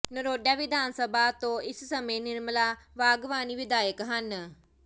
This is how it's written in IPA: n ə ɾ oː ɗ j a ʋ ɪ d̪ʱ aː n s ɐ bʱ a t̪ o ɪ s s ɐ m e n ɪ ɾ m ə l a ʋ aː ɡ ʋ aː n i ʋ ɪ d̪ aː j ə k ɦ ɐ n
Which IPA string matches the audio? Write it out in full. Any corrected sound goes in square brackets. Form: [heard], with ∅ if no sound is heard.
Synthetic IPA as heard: n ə ɾ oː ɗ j a ʋ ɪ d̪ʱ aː n s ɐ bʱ a t̪ o ɪ s s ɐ m e n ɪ ɾ m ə l a ʋ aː ɡ ʋ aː n i ʋ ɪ d̪ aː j ə k ɦ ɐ n